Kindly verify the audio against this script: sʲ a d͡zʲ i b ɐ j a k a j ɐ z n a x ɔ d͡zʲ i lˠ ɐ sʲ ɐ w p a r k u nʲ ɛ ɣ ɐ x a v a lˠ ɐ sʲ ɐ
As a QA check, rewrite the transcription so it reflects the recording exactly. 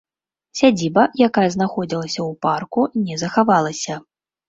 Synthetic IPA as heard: sʲ a d͡zʲ i b ɐ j a k a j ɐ z n a x ɔ d͡zʲ i lˠ ɐ sʲ ɐ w p a r k u nʲ ɛ z ɐ x a v a lˠ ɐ sʲ ɐ

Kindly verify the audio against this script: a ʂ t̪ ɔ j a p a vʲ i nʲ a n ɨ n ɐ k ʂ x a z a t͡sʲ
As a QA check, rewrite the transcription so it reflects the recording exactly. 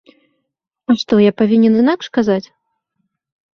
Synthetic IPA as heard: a ʂ t̪ ɔ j a p a vʲ i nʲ ɛ n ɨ n a k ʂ k a z a t͡sʲ

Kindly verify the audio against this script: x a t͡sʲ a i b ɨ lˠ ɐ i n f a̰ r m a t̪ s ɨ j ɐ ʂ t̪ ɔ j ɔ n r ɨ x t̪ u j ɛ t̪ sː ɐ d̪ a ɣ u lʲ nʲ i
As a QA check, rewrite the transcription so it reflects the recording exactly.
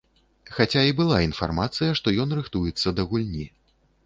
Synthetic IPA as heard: x a t͡sʲ a i b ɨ lˠ a i n f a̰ r m a t̪ s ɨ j ɐ ʂ t̪ ɔ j ɔ n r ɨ x t̪ u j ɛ t̪ sː ɐ d̪ ɐ ɣ u lʲ nʲ i

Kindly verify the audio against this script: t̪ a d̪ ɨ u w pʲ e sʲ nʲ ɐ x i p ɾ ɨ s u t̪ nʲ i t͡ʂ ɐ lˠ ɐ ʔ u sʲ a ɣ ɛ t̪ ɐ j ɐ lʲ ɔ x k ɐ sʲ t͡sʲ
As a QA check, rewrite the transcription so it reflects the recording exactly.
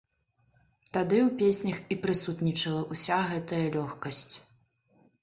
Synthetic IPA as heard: t̪ a d̪ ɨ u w pʲ e sʲ nʲ ɐ x i p ɾ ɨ s u t̪ nʲ i t͡ʂ ɐ lˠ ɐ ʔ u sʲ a ɣ ɛ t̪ ɐ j ɐ lʲ ɔ x k ɐ sʲ t͡sʲ

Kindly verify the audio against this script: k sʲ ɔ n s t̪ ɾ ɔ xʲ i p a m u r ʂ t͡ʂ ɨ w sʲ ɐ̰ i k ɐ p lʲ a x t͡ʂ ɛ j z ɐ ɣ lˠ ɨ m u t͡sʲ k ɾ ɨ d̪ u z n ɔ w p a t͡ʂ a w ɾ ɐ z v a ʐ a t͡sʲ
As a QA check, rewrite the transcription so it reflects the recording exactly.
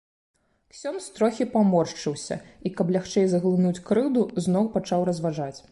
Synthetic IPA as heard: k sʲ ɔ n s t̪ ɾ ɔ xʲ i p a m ɔ r ʂ t͡ʂ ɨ w sʲ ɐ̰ i k ɐ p lʲ a x t͡ʂ ɛ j z ɐ ɣ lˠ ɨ n u t͡sʲ k ɾ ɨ d̪ u z n ɔ w p a t͡ʂ a w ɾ ɐ z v a ʐ a t͡sʲ

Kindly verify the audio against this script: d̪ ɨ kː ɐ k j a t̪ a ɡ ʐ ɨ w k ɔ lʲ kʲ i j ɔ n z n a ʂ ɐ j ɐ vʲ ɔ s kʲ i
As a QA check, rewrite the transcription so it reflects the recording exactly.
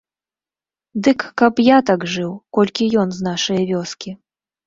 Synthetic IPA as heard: d̪ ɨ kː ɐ p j a t̪ a ɡ ʐ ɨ w k ɔ lʲ kʲ i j ɔ n z n a ʂ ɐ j ɐ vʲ ɔ s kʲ i

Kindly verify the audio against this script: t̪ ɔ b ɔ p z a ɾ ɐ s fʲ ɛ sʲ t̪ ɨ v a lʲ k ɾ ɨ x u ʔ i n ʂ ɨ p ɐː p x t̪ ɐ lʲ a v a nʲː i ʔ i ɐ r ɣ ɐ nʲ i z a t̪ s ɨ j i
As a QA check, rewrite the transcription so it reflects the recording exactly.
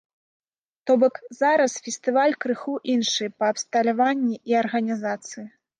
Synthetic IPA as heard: t̪ ɔ b ɔ k z a ɾ ɐ s fʲ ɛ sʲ t̪ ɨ v a lʲ k ɾ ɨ x u ʔ i n ʂ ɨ p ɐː p s t̪ ɐ lʲ a v a nʲː i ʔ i ɐ r ɣ ɐ nʲ i z a t̪ s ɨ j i

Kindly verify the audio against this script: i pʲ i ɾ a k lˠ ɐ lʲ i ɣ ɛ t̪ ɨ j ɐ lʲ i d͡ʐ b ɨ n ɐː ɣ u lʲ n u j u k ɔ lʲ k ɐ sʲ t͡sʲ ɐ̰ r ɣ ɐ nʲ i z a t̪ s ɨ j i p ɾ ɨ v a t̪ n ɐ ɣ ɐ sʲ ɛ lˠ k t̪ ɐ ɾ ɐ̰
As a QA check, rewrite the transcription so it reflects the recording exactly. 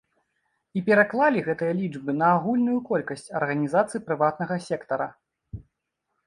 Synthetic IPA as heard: i pʲ ɛ ɾ a k lˠ a lʲ i ɣ ɛ t̪ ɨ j ɐ lʲ i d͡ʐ b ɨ n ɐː ɣ u lʲ n u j u k ɔ lʲ k ɐ sʲ t͡sʲ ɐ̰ r ɣ ɐ nʲ i z a t̪ s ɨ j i p ɾ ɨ v a t̪ n ɐ ɣ ɐ sʲ ɛ k t̪ ɐ ɾ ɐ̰

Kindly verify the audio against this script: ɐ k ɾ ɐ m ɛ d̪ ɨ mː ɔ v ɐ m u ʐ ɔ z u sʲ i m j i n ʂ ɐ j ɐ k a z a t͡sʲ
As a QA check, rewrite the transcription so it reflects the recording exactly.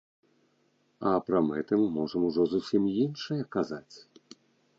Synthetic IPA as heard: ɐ p ɾ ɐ m ɛ t̪ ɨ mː ɔ ʐ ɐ m u ʐ ɔ z u sʲ i m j i n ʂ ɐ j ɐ k a z a t͡sʲ

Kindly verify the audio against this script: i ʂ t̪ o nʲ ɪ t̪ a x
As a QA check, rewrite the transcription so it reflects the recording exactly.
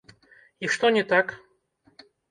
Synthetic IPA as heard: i ʂ t̪ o nʲ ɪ t̪ a k

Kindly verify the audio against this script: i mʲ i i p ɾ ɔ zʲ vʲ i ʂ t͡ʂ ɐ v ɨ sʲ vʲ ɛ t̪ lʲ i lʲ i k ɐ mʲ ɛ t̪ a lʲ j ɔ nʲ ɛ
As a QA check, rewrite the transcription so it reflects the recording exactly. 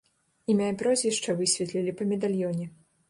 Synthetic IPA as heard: i mʲ a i p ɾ ɔ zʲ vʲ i ʂ t͡ʂ ɐ v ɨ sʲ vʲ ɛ t̪ lʲ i lʲ i p ɐ mʲ ɛ d̪ a lʲ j ɔ nʲ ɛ

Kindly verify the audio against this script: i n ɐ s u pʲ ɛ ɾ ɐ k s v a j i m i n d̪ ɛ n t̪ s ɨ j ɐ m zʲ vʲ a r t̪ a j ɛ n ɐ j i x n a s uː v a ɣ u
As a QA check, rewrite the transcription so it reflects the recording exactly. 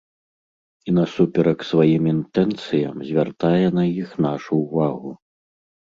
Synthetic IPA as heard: i n ɐ s u pʲ ɛ ɾ ɐ k s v a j i m i n t̪ ɛ n t̪ s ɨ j ɐ m zʲ vʲ a r t̪ a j ɛ n ɐ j i x n a ʂ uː v a ɣ u

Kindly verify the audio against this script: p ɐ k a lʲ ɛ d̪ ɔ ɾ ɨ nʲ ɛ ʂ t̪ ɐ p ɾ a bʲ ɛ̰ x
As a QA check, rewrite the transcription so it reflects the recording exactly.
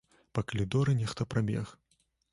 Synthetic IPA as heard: p ɐ k ɐ lʲ i d̪ ɔ ɾ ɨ nʲ ɛ x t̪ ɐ p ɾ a bʲ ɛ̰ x

